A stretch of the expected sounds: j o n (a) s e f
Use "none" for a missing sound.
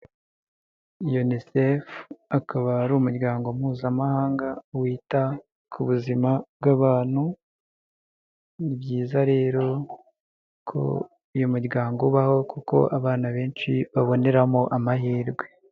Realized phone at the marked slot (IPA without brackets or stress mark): i